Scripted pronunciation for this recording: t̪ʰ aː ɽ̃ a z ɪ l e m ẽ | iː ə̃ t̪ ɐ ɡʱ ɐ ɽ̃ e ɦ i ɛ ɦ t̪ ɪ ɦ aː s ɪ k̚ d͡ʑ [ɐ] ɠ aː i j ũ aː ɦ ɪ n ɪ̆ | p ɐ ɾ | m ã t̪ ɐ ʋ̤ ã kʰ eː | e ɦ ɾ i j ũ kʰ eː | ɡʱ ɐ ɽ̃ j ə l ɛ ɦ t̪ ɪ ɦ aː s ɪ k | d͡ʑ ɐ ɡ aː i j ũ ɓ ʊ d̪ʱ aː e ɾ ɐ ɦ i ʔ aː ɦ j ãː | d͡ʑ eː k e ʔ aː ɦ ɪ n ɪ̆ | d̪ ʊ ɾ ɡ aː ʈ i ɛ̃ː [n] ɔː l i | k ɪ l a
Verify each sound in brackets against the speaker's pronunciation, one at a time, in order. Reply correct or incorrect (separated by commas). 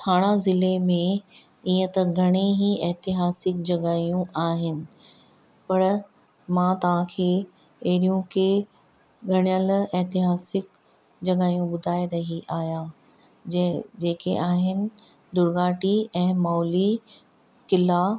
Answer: correct, incorrect